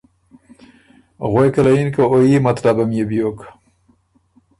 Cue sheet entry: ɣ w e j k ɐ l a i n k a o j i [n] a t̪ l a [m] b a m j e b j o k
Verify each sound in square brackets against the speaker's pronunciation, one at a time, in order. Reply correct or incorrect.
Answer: incorrect: m, incorrect: none

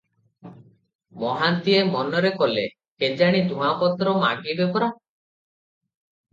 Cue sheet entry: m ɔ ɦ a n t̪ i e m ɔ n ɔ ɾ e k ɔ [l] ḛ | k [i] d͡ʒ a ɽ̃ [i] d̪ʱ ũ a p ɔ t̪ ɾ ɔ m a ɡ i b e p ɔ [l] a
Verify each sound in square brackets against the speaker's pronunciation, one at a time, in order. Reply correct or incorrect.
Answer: correct, incorrect: e, correct, incorrect: ɾ

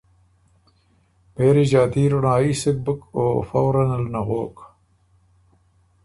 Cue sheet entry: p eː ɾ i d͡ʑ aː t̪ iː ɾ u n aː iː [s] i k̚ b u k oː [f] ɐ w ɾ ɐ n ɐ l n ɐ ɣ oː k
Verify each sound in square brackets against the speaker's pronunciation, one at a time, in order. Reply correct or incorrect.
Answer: correct, correct

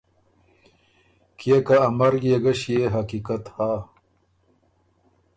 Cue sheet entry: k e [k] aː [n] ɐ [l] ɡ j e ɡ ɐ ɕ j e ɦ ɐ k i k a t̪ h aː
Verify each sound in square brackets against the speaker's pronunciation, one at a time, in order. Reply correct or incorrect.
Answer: correct, incorrect: m, incorrect: ɾ

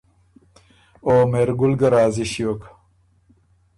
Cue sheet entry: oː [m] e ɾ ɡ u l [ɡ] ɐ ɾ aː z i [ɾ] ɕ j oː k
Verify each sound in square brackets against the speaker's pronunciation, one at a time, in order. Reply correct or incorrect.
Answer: correct, correct, incorrect: none

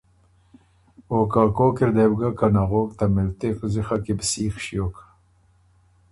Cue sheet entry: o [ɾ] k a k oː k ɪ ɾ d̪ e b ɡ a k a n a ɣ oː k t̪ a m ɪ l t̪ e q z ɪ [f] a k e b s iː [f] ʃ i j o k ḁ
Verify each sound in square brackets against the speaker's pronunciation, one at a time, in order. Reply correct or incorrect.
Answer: incorrect: none, incorrect: x, incorrect: x

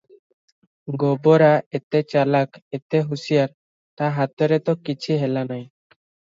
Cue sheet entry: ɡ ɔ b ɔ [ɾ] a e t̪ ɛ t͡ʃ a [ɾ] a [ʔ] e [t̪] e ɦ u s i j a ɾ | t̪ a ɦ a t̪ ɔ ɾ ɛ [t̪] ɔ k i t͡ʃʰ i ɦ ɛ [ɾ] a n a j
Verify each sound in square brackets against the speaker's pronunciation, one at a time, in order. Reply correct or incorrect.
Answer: correct, incorrect: l, incorrect: k, correct, correct, incorrect: l

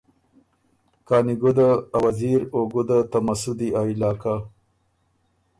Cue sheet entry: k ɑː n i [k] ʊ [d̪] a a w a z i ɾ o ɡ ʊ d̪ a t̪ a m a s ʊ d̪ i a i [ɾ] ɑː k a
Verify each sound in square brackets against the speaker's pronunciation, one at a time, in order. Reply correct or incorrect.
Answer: incorrect: ɡ, correct, incorrect: l

